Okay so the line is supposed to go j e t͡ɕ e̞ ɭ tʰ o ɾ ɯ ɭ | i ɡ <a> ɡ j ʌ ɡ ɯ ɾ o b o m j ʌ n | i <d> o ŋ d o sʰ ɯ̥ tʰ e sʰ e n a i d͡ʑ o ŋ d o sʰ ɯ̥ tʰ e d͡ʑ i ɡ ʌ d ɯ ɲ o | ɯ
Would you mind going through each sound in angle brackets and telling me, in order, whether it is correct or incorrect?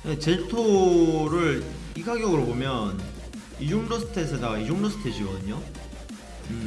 correct, incorrect

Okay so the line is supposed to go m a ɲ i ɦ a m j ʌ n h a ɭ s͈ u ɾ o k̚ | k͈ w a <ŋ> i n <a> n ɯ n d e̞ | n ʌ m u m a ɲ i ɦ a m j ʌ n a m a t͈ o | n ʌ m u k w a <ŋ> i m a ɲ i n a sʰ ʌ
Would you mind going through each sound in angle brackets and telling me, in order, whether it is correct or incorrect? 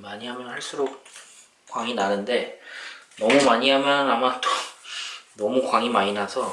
correct, correct, correct

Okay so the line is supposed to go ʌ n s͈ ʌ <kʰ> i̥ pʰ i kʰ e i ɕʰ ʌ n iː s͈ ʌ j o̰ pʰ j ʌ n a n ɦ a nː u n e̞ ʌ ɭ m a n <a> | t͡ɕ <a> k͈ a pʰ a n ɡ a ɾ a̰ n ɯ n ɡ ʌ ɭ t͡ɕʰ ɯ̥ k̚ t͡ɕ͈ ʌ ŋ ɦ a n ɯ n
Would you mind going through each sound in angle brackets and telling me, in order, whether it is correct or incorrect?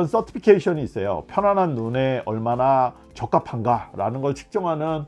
incorrect, correct, incorrect

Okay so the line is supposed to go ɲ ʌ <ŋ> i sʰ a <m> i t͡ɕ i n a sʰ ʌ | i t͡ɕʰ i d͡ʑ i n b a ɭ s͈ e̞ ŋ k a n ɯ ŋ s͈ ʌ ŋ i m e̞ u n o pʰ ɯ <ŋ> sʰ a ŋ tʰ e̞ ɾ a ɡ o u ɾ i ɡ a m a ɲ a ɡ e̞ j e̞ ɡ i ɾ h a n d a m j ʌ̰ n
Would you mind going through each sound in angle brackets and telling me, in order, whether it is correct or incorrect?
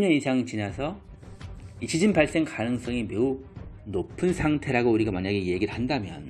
incorrect, incorrect, incorrect

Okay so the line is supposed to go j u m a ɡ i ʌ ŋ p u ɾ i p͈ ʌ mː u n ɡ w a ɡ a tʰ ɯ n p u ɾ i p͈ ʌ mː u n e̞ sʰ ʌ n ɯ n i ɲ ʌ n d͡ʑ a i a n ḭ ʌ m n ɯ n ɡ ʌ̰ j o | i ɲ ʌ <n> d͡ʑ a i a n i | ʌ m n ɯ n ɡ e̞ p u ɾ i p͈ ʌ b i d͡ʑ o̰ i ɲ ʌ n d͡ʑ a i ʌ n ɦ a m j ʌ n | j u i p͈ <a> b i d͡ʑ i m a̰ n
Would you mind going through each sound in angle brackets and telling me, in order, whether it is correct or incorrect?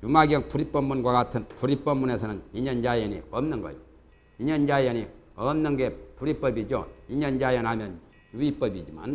correct, incorrect

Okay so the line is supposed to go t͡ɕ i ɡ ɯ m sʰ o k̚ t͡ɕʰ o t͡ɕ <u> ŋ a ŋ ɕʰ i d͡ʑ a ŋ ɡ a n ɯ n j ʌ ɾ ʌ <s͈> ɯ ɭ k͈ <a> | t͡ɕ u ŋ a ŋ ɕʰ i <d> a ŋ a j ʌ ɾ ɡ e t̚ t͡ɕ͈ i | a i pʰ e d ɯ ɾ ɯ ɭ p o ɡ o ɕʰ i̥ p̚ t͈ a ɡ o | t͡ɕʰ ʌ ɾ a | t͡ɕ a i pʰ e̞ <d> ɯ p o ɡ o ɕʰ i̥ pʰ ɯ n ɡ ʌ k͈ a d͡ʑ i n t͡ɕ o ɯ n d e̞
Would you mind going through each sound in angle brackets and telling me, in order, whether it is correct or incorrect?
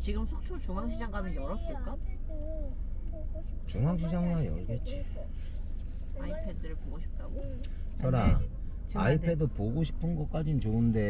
correct, correct, correct, incorrect, correct

